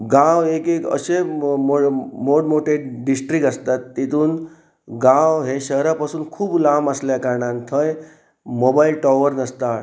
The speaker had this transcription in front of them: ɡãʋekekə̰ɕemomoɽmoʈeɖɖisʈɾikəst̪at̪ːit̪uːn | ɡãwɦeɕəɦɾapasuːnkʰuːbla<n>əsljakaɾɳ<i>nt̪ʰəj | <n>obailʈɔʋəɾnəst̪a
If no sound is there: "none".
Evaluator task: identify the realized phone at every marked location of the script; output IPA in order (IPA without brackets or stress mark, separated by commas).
m, a, m